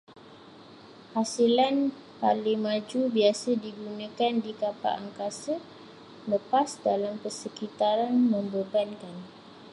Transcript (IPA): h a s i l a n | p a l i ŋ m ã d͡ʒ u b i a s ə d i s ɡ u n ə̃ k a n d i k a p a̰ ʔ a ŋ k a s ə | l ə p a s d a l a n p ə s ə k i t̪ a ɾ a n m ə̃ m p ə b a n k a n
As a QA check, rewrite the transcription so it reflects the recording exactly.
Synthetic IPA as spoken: h a s i l a n | p a l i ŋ m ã d͡ʒ u b i a s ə d i ɡ u n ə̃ k a n d i k a p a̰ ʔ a ŋ k a s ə | l ə p a s d a l a m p ə s ə k i t̪ a ɾ a n m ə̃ m b ə b a n k a n